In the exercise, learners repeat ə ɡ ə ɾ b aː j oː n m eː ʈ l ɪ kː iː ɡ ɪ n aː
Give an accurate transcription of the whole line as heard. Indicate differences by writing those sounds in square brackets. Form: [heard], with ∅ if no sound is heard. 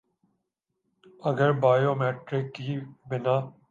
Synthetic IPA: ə ɡ ə ɾ b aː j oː [∅] m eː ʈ [ɾ] ɪ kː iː [b] ɪ n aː